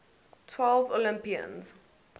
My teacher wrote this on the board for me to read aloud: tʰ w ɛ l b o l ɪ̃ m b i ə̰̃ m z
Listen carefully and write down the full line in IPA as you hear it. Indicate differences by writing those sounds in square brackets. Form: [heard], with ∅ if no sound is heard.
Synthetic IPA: tʰ w ɛ l [v] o l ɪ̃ m [p] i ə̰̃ [n] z